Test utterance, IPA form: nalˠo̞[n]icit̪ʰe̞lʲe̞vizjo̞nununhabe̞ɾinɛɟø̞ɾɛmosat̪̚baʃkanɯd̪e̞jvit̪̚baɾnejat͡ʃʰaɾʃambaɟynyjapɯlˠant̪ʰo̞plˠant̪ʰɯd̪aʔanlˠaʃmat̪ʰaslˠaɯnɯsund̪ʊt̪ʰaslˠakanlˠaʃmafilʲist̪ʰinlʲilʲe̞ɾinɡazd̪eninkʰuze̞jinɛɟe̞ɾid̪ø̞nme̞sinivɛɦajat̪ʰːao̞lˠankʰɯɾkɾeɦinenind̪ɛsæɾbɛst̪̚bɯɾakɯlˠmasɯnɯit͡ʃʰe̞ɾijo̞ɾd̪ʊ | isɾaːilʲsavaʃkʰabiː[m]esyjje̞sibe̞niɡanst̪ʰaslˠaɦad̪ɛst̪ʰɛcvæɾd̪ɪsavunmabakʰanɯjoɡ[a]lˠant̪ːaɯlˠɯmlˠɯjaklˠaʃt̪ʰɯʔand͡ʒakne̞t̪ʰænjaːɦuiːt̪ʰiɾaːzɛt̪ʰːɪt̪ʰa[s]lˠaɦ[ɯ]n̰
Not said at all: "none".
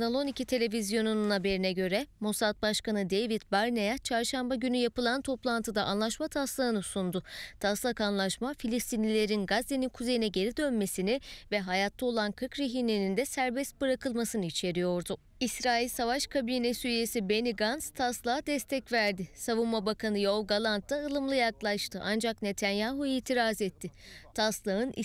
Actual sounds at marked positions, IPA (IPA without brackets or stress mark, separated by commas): n, n, a, s, ɯ